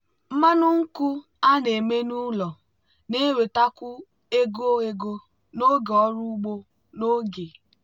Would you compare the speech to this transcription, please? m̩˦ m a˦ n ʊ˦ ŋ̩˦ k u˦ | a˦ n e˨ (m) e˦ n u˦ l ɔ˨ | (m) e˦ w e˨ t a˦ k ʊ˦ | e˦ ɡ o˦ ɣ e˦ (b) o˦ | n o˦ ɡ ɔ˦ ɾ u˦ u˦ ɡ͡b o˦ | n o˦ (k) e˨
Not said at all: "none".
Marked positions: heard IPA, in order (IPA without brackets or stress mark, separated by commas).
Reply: m, n, ɡ, ɡ